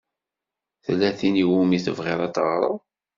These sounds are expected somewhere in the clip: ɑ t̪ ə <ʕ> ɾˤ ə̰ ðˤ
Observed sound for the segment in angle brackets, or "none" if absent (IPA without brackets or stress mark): ʁ